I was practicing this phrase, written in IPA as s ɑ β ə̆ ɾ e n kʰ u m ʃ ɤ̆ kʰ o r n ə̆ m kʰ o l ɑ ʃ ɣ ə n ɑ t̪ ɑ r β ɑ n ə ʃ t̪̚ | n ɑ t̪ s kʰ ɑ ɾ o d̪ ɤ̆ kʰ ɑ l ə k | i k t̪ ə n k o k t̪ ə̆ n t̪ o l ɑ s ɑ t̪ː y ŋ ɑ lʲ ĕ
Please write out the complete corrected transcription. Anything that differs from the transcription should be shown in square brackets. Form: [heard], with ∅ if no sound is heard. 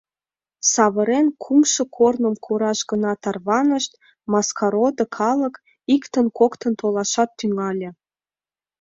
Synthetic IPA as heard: s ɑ β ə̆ ɾ e n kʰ u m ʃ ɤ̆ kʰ o r n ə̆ m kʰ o [ɾ] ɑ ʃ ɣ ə n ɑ t̪ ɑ r β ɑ n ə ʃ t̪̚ | [m] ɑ [∅] s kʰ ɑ ɾ o d̪ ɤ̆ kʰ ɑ l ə k | i k t̪ ə n k o k t̪ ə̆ n t̪ o l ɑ [ʃ] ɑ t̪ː y ŋ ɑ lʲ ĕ

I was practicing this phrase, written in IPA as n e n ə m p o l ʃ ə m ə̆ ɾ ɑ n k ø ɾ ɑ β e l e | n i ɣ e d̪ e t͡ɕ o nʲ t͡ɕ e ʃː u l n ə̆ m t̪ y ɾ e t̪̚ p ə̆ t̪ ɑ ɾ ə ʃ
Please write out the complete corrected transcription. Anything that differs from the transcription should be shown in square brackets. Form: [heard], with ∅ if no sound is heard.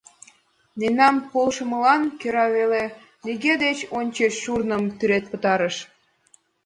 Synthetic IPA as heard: n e n [ɑ] m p o l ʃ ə m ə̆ [l] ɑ n k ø ɾ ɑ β e l e | n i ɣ e d̪ e t͡ɕ o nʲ t͡ɕ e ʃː u [r] n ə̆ m t̪ y ɾ e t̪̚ p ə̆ t̪ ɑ ɾ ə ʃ

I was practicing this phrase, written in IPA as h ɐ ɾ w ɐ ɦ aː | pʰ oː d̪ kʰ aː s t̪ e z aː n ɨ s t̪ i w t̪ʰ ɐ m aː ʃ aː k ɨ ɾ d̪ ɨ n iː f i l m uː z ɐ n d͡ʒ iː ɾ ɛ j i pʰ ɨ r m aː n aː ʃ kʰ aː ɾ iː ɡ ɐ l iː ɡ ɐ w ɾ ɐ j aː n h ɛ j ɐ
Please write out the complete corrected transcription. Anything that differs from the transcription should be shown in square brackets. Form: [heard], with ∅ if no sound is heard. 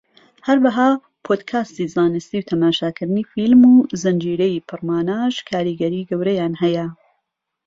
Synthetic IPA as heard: h ɐ ɾ w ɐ ɦ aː | pʰ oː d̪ kʰ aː s t̪ [i] z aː n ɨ s t̪ i w t̪ʰ ɐ m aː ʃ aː k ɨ ɾ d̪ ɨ n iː f i l m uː z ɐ n d͡ʒ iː ɾ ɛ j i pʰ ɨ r m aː n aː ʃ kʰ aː ɾ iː ɡ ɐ [ɾ] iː ɡ ɐ w ɾ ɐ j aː n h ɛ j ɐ

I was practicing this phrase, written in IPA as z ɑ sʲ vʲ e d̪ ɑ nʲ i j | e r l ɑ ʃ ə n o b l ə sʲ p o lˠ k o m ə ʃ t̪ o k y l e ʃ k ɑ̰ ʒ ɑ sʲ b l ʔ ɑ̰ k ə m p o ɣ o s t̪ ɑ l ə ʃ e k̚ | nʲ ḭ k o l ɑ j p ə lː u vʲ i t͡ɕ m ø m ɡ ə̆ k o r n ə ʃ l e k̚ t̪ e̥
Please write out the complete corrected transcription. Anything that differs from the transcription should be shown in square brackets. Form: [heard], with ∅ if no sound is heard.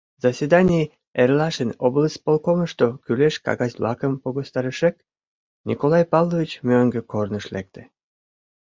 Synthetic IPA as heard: z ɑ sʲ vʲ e d̪ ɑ nʲ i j | e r l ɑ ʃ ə n o b l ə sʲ p o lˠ k o m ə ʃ t̪ o k y l e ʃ k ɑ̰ [ɣ] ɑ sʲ b l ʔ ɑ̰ k ə m p o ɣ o s t̪ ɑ [ɾ] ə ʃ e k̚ | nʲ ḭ k o l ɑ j p [ɑ] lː [o] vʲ i t͡ɕ m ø [ŋ] ɡ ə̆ k o r n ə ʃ l e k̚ t̪ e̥

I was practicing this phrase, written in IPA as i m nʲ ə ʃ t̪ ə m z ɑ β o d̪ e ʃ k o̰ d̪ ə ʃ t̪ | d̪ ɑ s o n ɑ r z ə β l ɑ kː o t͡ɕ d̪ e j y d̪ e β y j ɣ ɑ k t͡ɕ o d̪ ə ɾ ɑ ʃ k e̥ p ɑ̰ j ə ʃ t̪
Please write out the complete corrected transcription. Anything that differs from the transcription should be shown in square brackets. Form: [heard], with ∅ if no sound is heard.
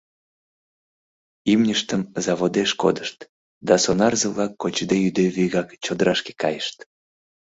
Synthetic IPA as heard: i m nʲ ə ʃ t̪ ə m z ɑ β o d̪ e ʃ k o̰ d̪ ə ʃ t̪ | d̪ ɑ s o n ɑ r z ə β l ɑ kː o t͡ɕ d̪ e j y d̪ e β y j ɣ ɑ k t͡ɕ o d̪ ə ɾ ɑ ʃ k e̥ [k] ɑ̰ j ə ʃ t̪

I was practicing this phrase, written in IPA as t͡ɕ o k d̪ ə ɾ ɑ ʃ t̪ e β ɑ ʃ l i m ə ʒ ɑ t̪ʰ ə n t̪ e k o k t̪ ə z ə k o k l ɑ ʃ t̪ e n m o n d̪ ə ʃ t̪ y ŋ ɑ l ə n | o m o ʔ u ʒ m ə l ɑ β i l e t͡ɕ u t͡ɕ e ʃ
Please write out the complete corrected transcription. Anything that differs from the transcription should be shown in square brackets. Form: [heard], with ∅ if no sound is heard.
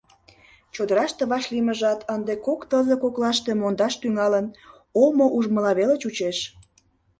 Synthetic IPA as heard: t͡ɕ o [∅] d̪ ə ɾ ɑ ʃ t̪ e β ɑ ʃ l i m ə ʒ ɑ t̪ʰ ə n [d̪] e k o k t̪ ə z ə k o k l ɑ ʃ t̪ e [∅] m o n d̪ [ɑ] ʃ t̪ y ŋ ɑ l ə n | o m o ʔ u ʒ m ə l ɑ β [e] l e t͡ɕ u t͡ɕ e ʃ

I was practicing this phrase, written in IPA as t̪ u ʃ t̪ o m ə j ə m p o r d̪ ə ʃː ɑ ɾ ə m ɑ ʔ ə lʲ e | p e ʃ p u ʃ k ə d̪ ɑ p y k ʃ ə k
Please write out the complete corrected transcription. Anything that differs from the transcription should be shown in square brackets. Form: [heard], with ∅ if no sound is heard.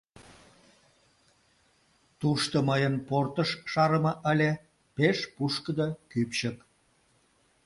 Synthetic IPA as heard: t̪ u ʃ t̪ o m ə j ə [n] p o r [t̪] ə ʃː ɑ ɾ ə m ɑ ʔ ə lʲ e | p e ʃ p u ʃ k ə d̪ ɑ [k] y [p] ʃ ə k

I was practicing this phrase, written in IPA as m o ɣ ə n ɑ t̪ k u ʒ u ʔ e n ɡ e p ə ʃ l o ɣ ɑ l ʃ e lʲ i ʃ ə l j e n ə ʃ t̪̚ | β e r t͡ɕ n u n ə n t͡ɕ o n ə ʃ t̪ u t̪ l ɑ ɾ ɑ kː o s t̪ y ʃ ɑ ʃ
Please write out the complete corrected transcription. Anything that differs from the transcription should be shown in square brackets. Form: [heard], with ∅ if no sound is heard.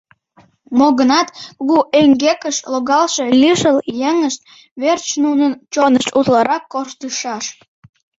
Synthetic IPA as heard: m o ɣ ə n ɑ t̪ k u [ɣ] u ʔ e [ŋ] ɡ e [k] ə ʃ l o ɣ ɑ l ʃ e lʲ i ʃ ə l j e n ə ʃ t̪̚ | β e r t͡ɕ n u n ə n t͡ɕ o n ə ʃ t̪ u t̪ l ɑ ɾ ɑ kː o [ʃ] t̪ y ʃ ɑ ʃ

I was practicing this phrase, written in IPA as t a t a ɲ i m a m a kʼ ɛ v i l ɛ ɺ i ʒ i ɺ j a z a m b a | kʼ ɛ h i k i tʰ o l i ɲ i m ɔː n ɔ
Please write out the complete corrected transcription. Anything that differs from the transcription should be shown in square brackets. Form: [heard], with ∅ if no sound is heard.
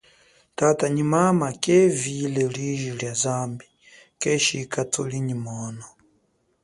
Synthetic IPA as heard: t a t a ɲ i m a m a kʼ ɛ v i l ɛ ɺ i ʒ i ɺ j a z a m b [i] | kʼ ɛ [ʃ] i k [a] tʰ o l i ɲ i m ɔː n ɔ

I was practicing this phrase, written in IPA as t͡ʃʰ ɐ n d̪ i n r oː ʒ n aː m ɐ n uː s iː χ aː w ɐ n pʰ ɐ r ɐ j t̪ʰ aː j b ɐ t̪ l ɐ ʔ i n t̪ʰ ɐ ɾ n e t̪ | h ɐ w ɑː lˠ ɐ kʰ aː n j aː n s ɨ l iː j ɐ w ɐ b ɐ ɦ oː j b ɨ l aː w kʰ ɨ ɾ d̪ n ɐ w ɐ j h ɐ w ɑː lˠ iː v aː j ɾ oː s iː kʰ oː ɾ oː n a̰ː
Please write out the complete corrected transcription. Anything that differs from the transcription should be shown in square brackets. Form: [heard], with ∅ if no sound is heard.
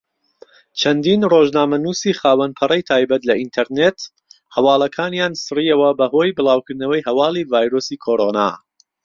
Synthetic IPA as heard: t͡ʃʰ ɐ n d̪ i n r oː ʒ n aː m ɐ n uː s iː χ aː w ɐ n pʰ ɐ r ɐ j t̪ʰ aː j b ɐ t̪ l ɐ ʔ i n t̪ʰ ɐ ɾ n e t̪ | h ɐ w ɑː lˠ ɐ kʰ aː n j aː n s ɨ [r] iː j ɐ w ɐ b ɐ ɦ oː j b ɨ l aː w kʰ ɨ ɾ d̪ n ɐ w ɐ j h ɐ w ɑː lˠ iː v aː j ɾ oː s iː kʰ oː ɾ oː n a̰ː

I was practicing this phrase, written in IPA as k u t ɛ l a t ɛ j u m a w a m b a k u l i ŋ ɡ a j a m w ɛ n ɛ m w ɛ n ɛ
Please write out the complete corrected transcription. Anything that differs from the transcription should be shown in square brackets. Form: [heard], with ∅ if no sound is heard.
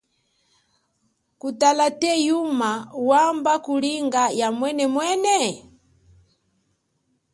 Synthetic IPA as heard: k u t [a] l a t ɛ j u m a w a m b a k u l i ŋ ɡ a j a m w ɛ n ɛ m w ɛ n ɛ

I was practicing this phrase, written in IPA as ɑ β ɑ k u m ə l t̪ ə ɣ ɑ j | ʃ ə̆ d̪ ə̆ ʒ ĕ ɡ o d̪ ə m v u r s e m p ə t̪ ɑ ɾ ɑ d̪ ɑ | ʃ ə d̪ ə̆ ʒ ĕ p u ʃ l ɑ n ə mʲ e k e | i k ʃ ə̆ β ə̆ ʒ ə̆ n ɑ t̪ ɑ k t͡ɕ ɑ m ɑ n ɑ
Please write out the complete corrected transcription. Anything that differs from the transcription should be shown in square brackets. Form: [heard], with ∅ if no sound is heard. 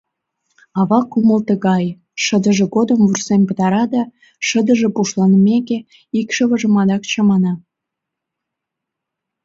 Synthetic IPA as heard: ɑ β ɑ k u m ə l t̪ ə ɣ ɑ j | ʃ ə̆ d̪ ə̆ ʒ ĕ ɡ o d̪ ə m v u r s e m p ə t̪ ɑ ɾ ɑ d̪ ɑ | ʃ ə d̪ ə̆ ʒ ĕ p u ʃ l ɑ n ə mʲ e k e | i k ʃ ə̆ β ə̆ ʒ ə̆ [m] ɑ [d̪] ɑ k t͡ɕ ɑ m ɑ n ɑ

